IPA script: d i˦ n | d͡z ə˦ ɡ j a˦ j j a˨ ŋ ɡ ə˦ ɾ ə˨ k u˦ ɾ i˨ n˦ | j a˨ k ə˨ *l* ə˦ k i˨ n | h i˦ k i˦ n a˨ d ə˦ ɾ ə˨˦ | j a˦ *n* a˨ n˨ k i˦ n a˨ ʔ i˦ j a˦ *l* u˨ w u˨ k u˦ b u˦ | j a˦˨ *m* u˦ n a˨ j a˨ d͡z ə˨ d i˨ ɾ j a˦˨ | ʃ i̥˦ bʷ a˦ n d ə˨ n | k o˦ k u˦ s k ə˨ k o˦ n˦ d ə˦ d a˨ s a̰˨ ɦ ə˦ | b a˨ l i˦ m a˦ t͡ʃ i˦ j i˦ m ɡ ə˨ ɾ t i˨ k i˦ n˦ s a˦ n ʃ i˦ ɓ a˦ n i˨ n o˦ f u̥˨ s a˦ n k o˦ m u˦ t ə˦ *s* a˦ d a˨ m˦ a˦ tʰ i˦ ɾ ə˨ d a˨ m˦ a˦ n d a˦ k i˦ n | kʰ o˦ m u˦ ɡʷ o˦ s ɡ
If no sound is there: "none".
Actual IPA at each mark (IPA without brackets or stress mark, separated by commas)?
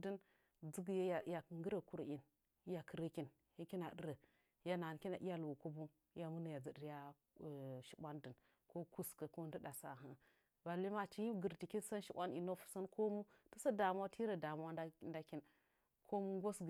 ɾ, n, l, m, s